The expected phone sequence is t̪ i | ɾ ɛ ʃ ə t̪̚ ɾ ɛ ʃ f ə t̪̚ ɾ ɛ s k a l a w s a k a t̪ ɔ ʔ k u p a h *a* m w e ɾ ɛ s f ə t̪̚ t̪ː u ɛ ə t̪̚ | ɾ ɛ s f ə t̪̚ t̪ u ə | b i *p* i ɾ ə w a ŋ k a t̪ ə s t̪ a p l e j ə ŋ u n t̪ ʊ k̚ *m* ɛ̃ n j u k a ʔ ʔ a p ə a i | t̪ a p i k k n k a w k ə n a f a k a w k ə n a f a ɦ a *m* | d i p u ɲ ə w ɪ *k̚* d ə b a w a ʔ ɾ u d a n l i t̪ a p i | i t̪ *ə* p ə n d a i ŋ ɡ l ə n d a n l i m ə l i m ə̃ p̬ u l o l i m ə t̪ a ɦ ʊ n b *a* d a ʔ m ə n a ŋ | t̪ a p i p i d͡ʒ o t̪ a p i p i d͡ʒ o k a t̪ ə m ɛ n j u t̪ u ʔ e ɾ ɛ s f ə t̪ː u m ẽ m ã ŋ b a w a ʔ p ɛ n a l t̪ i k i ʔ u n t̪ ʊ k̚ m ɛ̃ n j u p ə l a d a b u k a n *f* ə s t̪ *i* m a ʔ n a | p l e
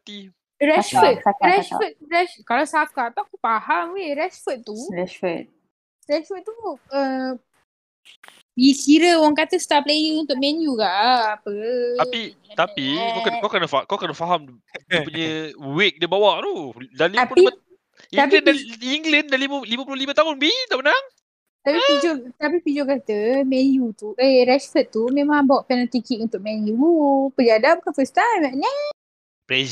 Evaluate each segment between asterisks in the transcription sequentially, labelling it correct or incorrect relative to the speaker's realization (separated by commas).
correct, incorrect, correct, correct, correct, incorrect, incorrect, correct, incorrect